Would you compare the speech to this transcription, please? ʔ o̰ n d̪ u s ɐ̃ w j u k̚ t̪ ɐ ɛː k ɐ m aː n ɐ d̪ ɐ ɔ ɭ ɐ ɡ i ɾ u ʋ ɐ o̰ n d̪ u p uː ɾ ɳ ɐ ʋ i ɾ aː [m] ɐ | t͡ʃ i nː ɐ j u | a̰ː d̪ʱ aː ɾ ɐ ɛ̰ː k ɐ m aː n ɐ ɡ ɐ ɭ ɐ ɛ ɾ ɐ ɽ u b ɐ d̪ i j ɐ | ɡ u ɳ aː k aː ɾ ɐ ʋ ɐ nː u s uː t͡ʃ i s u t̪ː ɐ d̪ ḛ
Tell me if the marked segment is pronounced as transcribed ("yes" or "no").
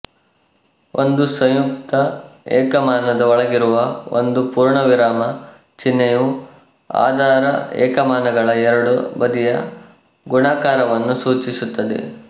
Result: yes